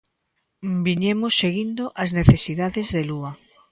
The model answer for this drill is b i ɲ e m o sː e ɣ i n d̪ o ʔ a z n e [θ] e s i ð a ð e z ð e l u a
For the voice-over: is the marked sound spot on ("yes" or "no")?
yes